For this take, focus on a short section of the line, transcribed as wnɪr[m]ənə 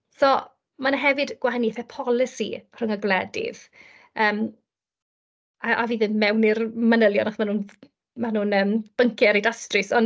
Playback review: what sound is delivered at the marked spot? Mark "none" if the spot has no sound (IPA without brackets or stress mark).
m